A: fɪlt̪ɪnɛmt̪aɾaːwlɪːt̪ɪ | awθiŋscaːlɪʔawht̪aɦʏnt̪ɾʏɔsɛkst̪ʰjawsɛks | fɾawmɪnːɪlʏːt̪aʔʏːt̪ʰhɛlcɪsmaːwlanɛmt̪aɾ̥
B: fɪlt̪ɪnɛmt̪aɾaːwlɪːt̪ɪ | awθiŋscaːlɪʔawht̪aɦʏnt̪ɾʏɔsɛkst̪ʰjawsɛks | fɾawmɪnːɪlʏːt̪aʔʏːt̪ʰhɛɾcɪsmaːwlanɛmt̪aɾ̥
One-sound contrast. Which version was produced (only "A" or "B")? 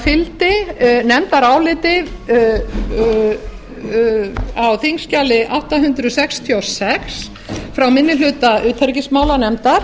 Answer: B